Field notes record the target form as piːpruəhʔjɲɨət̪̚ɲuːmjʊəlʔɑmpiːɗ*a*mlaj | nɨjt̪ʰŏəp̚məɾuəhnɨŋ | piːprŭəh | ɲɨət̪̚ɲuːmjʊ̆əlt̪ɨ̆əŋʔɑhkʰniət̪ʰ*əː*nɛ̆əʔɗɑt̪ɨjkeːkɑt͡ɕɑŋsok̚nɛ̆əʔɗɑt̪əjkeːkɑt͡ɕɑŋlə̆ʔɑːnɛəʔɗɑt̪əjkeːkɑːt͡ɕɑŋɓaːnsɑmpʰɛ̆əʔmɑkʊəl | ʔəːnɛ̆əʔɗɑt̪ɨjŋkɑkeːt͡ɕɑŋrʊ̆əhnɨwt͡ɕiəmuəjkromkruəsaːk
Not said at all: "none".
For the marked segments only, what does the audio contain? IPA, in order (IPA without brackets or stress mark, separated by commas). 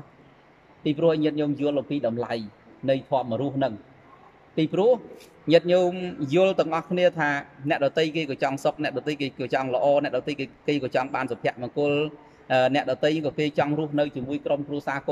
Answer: ɑ, aː